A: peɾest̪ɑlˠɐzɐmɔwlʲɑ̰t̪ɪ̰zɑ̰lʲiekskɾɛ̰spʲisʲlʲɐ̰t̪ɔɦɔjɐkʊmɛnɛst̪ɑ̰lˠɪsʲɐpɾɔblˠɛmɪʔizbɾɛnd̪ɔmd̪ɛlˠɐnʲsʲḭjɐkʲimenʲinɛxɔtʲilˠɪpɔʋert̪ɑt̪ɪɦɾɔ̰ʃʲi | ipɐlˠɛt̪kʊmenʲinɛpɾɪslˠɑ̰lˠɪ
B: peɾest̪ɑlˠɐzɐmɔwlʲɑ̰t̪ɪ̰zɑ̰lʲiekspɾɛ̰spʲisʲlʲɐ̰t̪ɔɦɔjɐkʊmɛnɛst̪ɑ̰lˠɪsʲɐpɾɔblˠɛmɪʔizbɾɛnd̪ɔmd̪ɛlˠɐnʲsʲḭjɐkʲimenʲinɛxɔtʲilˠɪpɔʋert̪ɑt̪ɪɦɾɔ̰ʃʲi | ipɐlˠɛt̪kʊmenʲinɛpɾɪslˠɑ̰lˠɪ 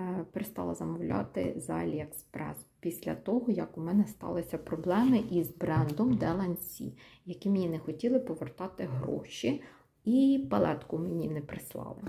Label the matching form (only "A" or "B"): B